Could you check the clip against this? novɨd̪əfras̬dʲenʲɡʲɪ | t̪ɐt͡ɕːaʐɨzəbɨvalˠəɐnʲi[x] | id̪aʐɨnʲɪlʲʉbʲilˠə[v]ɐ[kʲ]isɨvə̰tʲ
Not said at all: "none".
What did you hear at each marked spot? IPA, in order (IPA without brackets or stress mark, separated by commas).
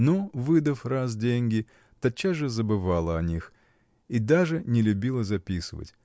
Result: x, z, pʲ